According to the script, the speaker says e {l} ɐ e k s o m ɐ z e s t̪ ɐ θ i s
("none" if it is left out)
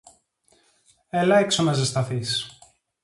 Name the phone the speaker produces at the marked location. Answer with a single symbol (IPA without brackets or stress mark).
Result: l